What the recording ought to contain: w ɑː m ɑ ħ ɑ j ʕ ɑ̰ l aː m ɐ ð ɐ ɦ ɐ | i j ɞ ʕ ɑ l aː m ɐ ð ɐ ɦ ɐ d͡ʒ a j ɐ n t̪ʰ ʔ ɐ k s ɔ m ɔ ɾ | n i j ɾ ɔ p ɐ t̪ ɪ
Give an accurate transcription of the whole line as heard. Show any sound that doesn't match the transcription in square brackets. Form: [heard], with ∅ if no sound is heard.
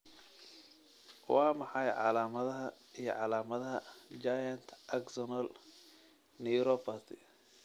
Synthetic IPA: w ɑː m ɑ ħ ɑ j ʕ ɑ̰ l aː m ɐ ð ɐ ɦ ɐ | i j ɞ ʕ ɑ l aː m ɐ ð ɐ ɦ ɐ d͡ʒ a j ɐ n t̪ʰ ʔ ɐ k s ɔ [n] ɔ [l] | n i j ɾ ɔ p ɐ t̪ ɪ